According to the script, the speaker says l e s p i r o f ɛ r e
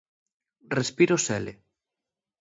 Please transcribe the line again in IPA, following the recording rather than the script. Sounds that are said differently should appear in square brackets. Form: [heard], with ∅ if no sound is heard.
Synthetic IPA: [r] e s p i [ɾ] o [s] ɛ [l] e